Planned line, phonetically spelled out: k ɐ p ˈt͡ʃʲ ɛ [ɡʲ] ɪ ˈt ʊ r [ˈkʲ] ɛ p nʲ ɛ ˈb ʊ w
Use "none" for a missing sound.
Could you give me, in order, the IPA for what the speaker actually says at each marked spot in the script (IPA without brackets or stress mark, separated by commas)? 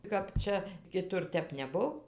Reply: kʲ, tʲ